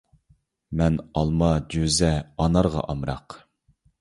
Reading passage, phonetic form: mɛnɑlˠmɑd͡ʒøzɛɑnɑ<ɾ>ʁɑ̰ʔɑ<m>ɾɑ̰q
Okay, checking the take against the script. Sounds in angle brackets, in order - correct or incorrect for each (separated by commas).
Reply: correct, correct